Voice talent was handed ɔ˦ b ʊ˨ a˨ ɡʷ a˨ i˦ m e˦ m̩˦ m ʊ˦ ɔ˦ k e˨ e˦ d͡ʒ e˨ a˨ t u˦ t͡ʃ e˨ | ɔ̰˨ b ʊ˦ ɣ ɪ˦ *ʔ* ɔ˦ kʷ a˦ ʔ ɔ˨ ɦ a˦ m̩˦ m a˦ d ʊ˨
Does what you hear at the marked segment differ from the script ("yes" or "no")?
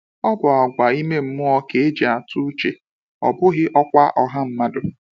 no